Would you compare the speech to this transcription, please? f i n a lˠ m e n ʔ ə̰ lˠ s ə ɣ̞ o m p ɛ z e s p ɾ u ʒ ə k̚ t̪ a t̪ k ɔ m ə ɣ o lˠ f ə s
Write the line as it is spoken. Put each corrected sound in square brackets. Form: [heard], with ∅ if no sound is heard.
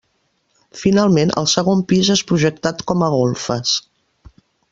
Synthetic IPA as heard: f i n a lˠ m e n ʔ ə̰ lˠ s ə ɣ̞ o m p [i] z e s p ɾ u ʒ ə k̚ t̪ a t̪ k ɔ m ə ɣ o lˠ f ə s